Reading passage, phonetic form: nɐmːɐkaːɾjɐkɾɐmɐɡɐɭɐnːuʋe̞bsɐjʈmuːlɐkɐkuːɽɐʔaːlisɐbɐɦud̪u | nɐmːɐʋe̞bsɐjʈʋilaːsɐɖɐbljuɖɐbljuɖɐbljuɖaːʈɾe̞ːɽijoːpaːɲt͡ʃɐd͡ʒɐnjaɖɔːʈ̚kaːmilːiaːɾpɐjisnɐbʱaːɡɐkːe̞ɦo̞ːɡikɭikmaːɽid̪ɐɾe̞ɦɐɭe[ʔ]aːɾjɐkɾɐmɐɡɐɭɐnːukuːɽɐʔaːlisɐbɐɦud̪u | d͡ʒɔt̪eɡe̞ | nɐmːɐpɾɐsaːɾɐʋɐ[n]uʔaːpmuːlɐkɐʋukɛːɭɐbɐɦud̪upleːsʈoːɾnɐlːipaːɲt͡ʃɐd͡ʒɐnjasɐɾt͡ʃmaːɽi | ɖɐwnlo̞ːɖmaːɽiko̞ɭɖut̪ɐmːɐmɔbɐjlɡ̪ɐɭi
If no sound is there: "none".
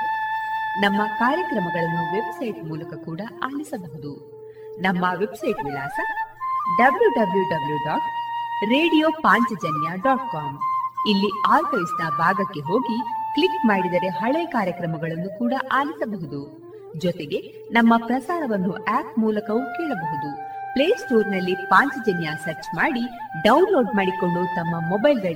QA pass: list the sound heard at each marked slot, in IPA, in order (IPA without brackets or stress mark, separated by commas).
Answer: k, nː